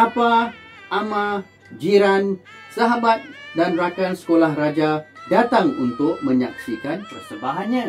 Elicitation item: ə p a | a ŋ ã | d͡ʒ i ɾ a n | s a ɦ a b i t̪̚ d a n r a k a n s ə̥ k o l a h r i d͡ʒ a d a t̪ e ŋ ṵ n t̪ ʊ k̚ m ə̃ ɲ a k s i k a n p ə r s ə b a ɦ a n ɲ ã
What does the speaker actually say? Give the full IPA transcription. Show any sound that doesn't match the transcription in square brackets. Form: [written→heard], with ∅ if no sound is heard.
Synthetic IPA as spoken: [ə→a] p a | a [ŋ→m] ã | d͡ʒ i ɾ a n | s a ɦ a b [i→a] t̪̚ d a n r a k a n s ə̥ k o l a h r [i→a] d͡ʒ a d a t̪ [e→a] ŋ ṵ n t̪ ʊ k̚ m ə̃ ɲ a k s i k a n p ə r s ə b a ɦ a n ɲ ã